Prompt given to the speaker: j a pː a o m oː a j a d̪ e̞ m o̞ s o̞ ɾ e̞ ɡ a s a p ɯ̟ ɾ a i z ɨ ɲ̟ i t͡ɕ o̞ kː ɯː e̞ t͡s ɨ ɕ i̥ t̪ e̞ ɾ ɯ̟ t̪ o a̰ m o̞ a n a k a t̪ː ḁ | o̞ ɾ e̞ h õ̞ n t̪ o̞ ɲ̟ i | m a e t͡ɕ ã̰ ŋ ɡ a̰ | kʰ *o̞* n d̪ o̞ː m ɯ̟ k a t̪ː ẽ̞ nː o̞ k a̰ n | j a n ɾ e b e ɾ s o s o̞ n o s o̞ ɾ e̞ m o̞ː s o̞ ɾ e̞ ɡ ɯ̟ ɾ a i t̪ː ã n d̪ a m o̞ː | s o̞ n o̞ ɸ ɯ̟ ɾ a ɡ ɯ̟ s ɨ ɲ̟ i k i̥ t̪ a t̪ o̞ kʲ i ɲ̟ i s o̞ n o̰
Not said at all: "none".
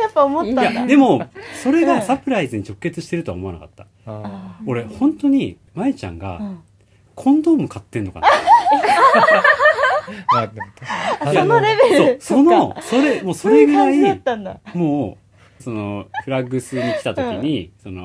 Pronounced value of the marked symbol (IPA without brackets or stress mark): õ̞